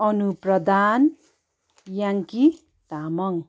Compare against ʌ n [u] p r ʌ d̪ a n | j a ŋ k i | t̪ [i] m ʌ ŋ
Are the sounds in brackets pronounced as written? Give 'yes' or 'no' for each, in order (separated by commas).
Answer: yes, no